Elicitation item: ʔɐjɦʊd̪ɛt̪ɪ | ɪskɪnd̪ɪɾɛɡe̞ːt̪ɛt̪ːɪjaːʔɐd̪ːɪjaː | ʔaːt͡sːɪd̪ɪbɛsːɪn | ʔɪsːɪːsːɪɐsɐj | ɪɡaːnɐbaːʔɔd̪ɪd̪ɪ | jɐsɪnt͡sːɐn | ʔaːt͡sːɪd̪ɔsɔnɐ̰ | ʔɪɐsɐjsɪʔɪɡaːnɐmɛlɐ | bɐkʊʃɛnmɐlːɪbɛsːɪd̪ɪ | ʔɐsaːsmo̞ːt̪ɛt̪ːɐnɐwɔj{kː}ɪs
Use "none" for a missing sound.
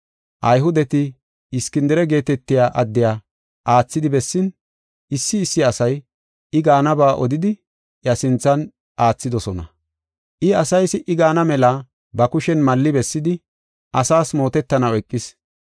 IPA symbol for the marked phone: kʼː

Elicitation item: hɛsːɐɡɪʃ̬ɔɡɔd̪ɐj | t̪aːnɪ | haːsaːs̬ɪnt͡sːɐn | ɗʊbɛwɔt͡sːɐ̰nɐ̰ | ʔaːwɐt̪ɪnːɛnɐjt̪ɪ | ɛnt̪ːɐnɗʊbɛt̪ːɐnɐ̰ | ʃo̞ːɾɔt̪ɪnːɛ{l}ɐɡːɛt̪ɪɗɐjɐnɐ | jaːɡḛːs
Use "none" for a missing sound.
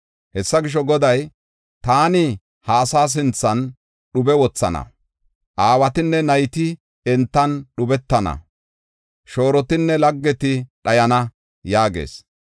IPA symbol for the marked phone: l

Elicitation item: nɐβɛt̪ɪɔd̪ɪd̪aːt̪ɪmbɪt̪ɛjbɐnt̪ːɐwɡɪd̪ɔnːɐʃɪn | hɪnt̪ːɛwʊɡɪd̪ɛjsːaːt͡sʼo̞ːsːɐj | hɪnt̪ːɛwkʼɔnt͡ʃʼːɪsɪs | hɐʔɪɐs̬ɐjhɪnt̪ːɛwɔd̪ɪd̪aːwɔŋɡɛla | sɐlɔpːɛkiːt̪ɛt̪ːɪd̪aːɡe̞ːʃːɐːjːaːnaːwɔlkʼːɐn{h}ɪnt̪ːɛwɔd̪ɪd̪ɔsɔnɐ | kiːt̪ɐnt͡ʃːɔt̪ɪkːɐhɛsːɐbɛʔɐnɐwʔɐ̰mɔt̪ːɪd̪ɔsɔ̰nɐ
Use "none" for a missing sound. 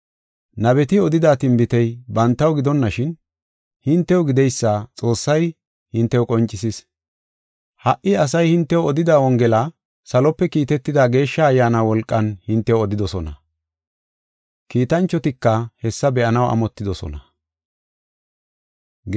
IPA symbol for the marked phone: h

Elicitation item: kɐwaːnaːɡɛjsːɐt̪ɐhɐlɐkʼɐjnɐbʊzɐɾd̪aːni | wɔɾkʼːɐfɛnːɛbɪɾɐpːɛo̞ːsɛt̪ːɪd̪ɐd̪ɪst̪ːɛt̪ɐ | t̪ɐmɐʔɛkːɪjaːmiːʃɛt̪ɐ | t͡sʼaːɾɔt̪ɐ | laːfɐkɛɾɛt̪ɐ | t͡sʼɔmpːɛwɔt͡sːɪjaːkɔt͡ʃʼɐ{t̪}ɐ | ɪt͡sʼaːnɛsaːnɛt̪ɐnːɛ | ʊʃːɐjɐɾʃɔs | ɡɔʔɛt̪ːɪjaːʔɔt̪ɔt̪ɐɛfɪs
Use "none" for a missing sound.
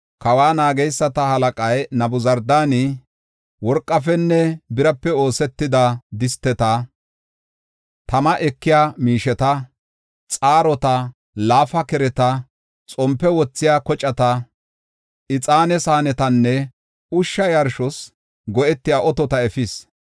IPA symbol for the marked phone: t̪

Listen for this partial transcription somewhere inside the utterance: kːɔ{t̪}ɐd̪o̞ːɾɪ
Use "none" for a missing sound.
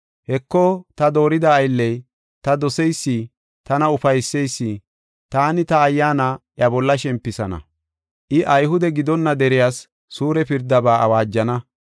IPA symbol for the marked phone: t̪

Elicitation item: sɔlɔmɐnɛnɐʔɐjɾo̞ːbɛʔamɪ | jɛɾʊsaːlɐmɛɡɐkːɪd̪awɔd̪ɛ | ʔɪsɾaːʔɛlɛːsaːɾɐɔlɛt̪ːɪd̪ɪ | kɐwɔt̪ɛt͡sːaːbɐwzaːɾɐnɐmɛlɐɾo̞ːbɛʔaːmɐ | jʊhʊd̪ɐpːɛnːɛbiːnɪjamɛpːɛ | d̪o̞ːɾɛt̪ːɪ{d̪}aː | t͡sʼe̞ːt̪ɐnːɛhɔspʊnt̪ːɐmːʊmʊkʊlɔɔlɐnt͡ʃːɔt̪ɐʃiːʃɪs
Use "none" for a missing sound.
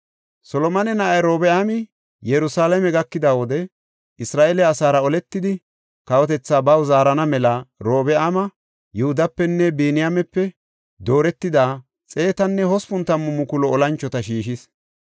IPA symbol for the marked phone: d̪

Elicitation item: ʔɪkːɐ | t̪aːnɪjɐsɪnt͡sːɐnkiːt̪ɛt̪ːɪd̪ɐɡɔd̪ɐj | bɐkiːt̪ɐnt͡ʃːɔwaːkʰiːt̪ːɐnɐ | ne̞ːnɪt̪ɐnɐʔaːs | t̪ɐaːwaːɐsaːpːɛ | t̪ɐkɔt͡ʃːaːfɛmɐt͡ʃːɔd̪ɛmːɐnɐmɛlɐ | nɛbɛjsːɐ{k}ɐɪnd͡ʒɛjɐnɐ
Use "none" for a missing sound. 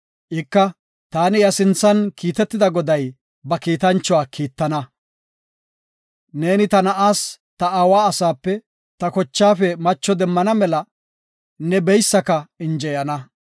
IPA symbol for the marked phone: k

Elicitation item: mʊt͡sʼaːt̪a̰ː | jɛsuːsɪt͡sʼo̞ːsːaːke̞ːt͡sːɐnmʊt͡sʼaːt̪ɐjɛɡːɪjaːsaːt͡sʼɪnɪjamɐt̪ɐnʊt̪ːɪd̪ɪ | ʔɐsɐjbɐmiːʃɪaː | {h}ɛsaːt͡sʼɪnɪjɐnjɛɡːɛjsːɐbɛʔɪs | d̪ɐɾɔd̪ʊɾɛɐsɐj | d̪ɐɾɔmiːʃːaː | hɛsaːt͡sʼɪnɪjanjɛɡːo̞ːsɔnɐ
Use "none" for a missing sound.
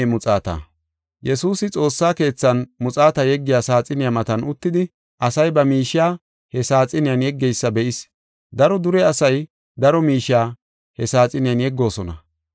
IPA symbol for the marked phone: h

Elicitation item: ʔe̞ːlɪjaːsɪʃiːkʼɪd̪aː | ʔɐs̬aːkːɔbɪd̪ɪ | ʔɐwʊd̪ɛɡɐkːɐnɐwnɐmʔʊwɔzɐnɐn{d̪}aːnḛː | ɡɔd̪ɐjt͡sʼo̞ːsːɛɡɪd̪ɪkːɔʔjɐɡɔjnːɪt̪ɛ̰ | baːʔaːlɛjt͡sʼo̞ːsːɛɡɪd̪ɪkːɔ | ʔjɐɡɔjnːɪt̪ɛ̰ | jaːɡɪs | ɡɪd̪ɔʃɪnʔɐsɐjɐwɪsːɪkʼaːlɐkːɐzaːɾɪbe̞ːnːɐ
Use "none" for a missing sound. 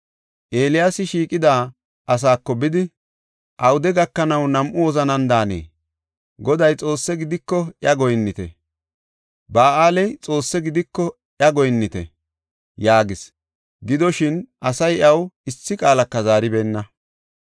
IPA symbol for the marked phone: d̪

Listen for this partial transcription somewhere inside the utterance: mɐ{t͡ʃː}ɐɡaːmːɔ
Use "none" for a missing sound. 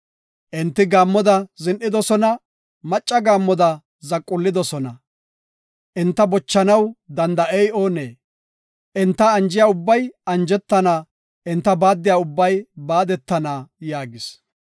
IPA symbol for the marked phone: t͡ʃʼː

